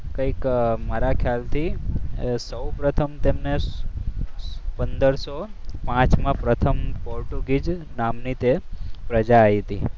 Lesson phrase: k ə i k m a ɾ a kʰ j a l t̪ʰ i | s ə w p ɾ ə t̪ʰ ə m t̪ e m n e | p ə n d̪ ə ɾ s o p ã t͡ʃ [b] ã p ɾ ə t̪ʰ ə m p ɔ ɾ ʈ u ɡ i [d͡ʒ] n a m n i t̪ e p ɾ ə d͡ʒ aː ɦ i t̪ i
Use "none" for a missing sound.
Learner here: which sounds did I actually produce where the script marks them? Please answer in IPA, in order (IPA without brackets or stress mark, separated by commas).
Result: m, d͡ʒ